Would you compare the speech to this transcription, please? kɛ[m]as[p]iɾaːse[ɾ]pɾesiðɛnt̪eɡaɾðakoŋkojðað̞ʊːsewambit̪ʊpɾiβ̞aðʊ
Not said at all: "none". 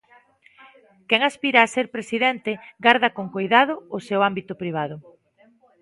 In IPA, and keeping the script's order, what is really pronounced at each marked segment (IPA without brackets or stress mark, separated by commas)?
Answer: ŋ, p, ɾ